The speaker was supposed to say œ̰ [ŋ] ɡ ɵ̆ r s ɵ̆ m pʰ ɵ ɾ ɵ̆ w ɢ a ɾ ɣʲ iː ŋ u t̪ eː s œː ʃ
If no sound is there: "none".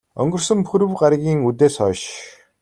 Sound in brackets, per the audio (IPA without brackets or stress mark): ŋ